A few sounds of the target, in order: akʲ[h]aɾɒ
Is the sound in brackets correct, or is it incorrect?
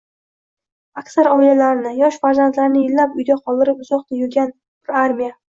incorrect: s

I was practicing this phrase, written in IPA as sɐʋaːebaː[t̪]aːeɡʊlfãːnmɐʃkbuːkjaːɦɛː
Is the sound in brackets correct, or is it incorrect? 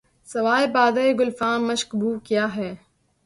incorrect: d̪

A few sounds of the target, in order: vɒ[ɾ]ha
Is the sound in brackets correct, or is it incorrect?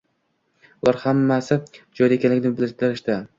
correct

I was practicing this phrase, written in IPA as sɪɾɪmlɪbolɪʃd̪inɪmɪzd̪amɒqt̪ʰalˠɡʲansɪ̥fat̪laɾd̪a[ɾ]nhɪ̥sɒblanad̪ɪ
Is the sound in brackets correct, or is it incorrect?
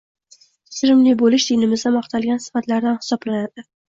incorrect: none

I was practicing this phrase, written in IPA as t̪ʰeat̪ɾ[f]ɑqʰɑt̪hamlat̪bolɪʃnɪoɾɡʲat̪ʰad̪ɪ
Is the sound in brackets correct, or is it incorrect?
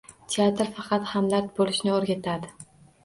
correct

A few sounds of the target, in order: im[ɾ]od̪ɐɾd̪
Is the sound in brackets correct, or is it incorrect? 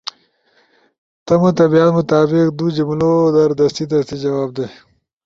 incorrect: l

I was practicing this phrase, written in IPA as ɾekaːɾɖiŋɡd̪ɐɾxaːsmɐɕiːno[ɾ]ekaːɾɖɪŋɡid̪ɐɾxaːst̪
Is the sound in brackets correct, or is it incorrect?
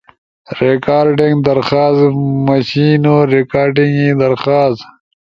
correct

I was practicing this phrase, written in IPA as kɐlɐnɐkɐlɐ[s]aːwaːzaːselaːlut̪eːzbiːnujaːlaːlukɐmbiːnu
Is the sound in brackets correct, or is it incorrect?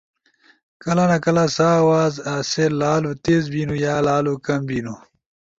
correct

